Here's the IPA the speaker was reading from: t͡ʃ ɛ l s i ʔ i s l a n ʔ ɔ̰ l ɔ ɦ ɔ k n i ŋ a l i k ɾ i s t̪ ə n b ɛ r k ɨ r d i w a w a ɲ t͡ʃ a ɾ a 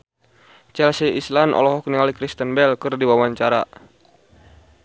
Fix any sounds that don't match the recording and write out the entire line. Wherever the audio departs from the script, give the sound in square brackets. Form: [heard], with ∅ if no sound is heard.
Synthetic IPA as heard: t͡ʃ ɛ l s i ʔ i s l a n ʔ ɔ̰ l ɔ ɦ ɔ k n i ŋ a l i k ɾ i s t̪ ə n b ɛ [l] k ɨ r d i w a w a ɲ t͡ʃ a ɾ a